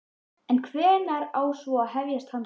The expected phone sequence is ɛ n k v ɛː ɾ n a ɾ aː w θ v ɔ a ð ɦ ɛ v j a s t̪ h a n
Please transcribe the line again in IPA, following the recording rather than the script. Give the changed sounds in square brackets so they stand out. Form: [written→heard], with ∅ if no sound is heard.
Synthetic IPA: ɛ n [k→kʰ] v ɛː ɾ n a ɾ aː w [θ→s] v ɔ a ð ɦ ɛ v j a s t̪ h a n